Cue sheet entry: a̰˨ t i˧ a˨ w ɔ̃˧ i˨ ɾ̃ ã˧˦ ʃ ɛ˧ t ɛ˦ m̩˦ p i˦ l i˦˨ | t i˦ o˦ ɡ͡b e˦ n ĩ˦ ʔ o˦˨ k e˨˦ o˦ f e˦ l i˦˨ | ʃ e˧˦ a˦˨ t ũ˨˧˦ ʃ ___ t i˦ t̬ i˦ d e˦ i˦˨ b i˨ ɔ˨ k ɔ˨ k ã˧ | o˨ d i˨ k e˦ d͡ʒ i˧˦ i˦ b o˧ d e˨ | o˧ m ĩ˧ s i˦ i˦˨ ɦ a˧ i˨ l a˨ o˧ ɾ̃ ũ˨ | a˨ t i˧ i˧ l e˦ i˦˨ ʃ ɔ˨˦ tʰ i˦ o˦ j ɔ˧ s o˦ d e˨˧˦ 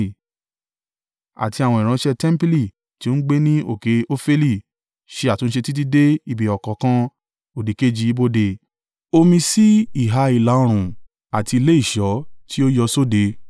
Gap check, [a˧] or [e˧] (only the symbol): e˧